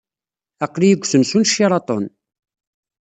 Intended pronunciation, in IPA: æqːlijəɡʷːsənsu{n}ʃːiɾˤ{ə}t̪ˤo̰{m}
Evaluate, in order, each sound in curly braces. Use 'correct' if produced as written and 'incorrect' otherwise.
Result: correct, incorrect, incorrect

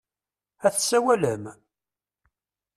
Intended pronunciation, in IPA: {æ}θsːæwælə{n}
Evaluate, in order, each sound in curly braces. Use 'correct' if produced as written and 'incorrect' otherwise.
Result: correct, incorrect

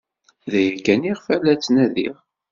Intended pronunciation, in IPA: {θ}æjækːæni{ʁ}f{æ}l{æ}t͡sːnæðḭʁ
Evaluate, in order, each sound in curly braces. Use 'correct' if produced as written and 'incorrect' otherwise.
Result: incorrect, correct, correct, correct

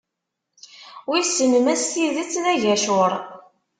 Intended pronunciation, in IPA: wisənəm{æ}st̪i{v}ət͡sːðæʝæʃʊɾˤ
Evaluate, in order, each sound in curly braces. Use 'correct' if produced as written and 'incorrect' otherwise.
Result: correct, incorrect

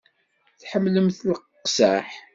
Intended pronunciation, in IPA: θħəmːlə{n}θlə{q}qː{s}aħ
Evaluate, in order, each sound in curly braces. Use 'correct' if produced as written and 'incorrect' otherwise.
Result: incorrect, correct, correct

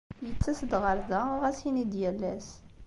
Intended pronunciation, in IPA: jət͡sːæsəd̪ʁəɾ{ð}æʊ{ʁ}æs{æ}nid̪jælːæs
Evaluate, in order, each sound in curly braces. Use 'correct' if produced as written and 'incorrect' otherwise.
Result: correct, correct, incorrect

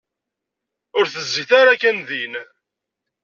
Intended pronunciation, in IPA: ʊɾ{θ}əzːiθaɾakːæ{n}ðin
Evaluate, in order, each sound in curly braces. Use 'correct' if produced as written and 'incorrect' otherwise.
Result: correct, correct

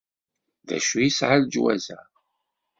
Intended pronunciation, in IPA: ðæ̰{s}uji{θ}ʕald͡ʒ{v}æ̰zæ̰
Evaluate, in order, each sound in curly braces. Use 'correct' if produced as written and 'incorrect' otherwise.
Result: incorrect, incorrect, incorrect

